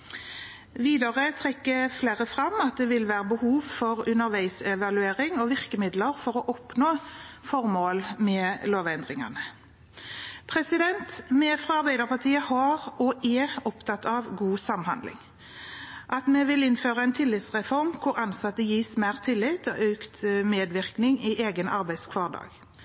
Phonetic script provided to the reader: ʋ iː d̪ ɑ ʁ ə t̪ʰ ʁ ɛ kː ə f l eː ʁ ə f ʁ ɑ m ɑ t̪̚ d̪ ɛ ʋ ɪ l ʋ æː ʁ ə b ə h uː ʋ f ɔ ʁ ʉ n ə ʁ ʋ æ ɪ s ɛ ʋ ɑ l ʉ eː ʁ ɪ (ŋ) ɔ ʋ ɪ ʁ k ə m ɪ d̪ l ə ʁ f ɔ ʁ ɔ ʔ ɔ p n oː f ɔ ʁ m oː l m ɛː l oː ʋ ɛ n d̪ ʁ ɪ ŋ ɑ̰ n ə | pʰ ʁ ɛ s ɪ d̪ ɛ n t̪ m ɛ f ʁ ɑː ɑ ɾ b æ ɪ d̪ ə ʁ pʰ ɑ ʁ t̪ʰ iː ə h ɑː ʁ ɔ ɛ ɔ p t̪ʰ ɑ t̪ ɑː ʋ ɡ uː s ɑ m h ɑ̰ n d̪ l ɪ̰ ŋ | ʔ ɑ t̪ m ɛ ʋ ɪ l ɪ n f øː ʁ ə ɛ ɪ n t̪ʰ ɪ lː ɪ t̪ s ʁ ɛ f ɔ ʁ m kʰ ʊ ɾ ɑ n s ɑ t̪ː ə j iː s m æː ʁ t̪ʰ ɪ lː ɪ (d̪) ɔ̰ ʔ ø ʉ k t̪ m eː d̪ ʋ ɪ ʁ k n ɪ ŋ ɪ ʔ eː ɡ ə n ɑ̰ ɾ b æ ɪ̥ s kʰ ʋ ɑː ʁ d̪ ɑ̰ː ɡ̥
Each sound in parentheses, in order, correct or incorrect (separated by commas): correct, incorrect